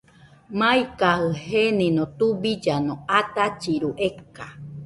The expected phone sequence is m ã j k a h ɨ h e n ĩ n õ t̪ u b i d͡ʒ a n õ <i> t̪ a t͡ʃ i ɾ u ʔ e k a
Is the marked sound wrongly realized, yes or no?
yes